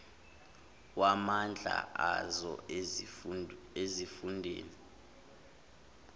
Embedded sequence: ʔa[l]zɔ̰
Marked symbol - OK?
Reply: no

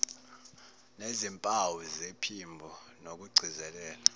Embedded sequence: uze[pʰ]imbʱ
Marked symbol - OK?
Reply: yes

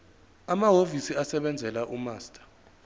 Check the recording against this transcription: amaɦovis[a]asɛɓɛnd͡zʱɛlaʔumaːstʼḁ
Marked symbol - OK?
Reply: no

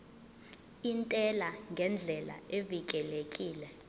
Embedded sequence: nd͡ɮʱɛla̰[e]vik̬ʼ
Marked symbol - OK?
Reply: yes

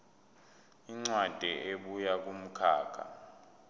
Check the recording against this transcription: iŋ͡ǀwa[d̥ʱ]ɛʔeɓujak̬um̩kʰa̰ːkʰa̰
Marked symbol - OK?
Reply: yes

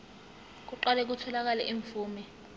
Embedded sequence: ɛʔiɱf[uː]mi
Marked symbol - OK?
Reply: yes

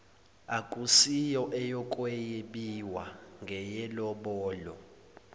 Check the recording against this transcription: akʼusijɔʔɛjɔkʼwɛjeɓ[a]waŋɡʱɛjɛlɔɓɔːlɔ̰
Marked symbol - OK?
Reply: no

